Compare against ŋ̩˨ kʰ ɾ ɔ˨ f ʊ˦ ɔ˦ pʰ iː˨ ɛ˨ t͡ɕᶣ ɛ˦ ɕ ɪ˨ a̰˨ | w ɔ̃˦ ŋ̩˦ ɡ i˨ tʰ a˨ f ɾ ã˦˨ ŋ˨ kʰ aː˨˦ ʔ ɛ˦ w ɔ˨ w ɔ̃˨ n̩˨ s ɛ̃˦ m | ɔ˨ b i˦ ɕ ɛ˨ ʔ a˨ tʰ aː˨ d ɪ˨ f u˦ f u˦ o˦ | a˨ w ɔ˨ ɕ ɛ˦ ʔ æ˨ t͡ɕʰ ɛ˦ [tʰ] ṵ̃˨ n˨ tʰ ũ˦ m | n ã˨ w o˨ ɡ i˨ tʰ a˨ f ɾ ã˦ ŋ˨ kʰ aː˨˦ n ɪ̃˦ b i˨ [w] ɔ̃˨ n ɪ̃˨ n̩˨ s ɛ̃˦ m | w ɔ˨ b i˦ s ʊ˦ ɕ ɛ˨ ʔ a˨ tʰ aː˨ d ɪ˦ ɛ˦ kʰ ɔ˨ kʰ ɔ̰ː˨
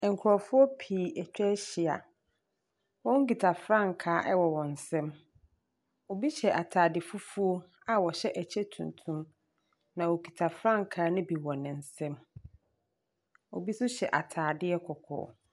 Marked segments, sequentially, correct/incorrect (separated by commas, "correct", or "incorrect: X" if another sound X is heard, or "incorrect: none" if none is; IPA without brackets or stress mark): correct, correct